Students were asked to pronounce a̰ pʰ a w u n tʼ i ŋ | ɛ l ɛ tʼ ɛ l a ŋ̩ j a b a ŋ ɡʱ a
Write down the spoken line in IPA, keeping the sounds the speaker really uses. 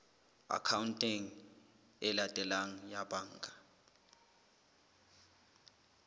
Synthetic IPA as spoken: a̰ kʰ a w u n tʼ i ŋ | ɛ l a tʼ ɛ l a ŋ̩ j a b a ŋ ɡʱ a